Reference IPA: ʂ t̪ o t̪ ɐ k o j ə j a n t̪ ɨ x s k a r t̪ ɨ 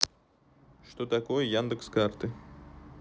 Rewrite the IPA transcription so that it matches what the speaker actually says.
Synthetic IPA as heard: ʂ t̪ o t̪ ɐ k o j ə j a n d̪ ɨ k s k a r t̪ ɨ